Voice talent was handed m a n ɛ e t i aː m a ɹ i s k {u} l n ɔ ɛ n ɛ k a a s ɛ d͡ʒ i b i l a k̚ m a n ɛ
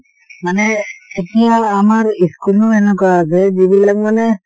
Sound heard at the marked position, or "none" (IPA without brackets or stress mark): u